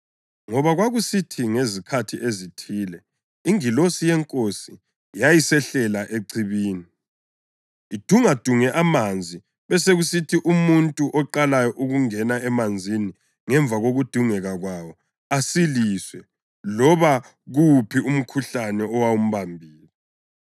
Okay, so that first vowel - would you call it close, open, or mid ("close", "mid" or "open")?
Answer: mid